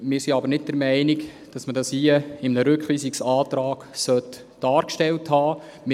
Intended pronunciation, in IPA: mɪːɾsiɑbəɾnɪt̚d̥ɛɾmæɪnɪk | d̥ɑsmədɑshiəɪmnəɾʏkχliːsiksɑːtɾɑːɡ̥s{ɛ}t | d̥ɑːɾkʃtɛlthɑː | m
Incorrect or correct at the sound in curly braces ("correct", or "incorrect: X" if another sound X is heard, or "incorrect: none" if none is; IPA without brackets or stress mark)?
incorrect: œ